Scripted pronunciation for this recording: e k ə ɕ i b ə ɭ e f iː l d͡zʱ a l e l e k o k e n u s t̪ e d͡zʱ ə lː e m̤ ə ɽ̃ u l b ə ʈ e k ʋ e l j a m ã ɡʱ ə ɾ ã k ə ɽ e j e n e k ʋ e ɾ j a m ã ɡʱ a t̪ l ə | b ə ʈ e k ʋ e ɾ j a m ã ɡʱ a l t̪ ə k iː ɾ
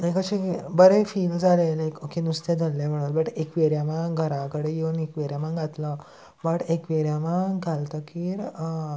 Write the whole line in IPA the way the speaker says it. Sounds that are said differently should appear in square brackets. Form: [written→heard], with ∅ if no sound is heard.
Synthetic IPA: e k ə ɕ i b ə [ɭ→ɾ] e f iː l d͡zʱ a l e l e k o k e n u s t̪ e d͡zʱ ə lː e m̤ ə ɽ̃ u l b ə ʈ e k ʋ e [l→ɾ] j a m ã ɡʱ ə ɾ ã k ə ɽ e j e n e k ʋ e ɾ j a m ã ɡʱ a t̪ l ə | b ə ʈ e k ʋ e ɾ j a m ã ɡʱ a l t̪ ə k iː ɾ